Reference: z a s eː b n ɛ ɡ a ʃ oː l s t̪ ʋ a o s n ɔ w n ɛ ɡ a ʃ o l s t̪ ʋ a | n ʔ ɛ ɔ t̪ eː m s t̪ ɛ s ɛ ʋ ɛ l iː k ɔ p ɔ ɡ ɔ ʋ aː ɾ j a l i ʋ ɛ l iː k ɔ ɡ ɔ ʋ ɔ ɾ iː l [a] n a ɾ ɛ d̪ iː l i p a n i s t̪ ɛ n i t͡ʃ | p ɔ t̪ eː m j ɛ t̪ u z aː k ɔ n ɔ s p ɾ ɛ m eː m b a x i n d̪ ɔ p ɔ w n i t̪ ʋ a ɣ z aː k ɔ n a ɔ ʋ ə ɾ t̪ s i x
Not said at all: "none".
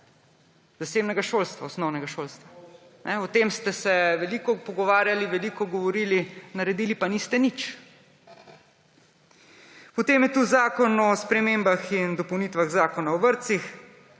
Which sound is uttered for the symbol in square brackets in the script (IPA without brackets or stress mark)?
i